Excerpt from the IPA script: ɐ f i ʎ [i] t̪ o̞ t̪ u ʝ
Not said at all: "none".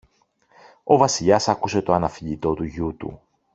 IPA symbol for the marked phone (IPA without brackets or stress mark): i